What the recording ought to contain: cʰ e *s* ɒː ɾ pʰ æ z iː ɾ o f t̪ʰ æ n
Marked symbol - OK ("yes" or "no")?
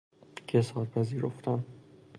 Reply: yes